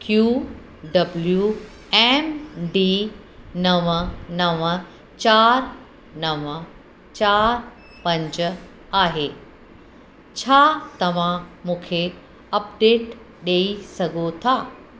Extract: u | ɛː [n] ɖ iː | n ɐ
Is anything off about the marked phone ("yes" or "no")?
yes